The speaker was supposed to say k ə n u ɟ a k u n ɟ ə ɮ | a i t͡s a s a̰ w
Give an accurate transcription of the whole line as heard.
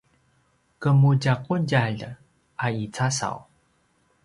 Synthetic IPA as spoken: k ə m u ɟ a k u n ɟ a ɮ | a i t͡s a s a̰ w

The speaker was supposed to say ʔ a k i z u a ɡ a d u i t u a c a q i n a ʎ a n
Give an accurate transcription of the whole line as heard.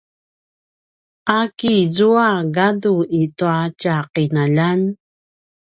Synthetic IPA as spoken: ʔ a k i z u a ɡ a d u i t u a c a q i n a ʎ a n

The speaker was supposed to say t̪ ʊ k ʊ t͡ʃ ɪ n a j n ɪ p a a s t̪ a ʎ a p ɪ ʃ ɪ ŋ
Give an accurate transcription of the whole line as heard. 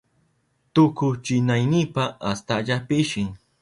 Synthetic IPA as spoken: t̪ ʊ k ʊ t͡ʃ ɪ n a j n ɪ p a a s t̪ a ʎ a p ɪ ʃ ɪ ŋ

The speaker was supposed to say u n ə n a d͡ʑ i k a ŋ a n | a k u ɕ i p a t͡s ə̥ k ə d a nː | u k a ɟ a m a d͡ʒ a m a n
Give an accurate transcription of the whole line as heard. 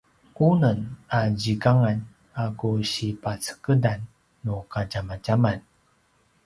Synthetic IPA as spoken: u n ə n a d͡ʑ i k a ŋ a n | a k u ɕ i p a t͡s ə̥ k ə d a nː | u k a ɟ a m a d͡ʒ a m a n

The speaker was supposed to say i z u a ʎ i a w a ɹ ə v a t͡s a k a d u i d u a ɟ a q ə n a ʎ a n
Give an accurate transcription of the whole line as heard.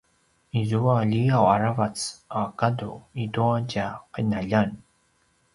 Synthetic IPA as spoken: i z u a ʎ i a w a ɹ a v a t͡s a k a d u i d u a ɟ a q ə n a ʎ a n

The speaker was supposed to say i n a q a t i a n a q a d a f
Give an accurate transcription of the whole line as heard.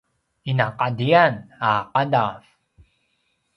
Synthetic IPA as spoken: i n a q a d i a n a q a d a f

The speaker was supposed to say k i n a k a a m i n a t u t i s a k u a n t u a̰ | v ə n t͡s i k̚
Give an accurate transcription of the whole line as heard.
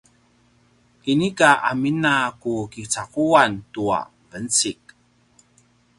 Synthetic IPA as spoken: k i n i k a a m i n a k u k i t͡s a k u a n t u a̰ | v ə n t͡s i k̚

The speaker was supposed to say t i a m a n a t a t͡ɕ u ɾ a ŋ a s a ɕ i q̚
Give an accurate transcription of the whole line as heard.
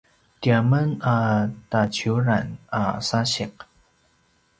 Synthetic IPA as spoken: t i a m ə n a t a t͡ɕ u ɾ a n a s a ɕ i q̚

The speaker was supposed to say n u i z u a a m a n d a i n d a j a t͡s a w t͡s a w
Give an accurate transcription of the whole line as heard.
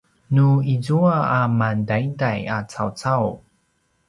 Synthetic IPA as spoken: n u i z u a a m a n d a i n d a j a t͡s a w t͡s a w

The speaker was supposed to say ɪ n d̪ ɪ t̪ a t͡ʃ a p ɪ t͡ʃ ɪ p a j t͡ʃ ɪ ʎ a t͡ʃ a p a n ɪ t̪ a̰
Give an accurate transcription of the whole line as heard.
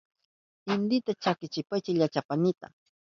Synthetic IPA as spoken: ɪ n d̪ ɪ t̪ a t͡ʃ a k ɪ t͡ʃ ɪ p a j t͡ʃ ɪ ʎ a t͡ʃ a p a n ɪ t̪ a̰

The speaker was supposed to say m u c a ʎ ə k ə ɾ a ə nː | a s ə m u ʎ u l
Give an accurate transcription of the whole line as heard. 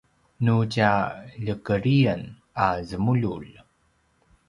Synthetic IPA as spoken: n u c a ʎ ə k ə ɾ i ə n | a z ə m u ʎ u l

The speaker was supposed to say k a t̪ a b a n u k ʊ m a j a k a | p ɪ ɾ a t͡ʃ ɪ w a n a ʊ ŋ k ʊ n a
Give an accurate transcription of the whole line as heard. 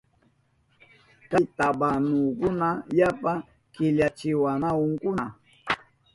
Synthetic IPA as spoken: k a t̪ a b a n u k ʊ n a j a p a | k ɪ ʎ a t͡ʃ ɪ w a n a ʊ ŋ k ʊ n a

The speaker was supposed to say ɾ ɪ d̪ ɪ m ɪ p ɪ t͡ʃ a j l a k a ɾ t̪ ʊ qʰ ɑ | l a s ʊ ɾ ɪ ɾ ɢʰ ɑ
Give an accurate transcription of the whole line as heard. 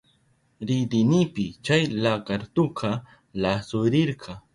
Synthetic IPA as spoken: ɾ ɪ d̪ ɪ n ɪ p ɪ t͡ʃ a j l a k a ɾ t̪ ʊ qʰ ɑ | l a s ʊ ɾ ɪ ɾ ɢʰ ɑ

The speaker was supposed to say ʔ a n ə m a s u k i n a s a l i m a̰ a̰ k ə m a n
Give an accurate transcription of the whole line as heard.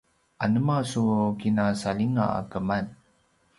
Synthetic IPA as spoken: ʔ a n ə m a s u k i n a s a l i ŋ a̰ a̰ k ə m a n

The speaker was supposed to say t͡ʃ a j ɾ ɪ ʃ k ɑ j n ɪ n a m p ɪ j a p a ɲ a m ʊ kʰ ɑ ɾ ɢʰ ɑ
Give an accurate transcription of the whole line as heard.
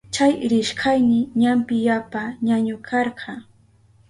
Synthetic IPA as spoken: t͡ʃ a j ɾ ɪ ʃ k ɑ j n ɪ ɲ a m p ɪ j a p a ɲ a ɲ ʊ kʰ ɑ ɾ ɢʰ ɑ

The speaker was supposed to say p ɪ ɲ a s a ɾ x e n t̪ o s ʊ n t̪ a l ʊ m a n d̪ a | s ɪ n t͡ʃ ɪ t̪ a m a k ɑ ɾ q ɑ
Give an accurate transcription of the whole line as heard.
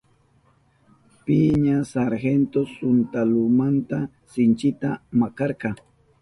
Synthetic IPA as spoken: p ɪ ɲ a s a ɾ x e n t̪ o s ʊ n t̪ a l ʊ m a n t̪ a | s ɪ n t͡ʃ ɪ t̪ a m a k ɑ ɾ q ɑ

